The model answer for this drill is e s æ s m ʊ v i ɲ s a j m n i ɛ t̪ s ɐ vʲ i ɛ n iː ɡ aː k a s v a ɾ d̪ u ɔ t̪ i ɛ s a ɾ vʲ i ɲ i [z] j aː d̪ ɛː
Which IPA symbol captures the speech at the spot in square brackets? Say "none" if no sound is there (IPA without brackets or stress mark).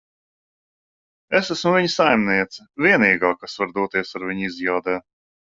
z